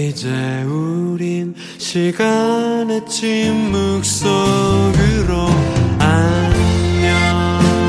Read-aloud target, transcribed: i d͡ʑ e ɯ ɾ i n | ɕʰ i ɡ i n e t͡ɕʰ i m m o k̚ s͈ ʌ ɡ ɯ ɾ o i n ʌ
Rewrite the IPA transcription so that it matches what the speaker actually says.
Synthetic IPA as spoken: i d͡ʑ e u ɾ i n | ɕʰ i ɡ a n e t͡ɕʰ i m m u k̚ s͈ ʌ ɡ ɯ ɾ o a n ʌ